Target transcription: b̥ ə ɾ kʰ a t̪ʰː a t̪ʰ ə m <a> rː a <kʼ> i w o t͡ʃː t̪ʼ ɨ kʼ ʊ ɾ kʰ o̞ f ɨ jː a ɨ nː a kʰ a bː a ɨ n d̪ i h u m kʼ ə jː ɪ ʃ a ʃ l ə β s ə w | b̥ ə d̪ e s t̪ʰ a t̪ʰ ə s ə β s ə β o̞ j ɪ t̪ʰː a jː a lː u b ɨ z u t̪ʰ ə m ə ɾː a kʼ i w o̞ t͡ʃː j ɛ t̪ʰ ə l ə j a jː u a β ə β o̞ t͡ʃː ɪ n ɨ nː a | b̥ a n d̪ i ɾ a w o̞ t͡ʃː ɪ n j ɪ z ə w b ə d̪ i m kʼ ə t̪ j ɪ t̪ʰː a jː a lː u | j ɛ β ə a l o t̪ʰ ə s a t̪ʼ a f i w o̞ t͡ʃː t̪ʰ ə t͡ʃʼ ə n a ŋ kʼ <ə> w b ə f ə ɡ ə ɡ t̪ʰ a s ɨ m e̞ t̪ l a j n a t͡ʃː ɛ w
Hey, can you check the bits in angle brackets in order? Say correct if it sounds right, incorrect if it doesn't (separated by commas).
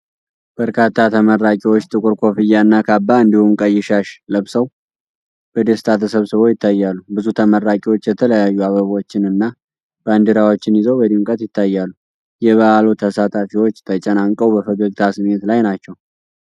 incorrect, correct, correct